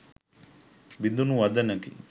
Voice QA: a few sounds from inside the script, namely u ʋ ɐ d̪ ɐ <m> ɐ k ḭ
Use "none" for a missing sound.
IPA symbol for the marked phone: n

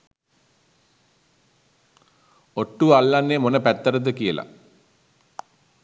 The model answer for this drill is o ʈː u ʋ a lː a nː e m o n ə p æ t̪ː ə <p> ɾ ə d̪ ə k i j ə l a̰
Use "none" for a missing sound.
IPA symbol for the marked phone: none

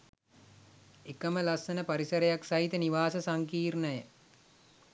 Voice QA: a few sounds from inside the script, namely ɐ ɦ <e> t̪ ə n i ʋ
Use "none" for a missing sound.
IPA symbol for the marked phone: i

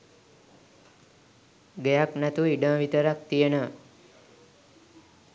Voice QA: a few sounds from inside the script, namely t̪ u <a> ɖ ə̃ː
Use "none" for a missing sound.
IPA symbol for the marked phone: i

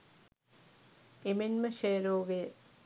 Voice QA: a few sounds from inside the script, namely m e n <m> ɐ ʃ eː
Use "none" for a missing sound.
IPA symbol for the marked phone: m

